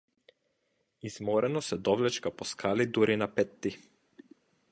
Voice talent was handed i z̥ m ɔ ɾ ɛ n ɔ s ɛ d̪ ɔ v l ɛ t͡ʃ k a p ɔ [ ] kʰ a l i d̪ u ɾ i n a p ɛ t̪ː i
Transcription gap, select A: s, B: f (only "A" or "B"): A